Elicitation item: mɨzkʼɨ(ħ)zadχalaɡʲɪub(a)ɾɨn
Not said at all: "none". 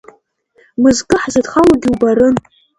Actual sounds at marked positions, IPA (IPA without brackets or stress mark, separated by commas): ħ, a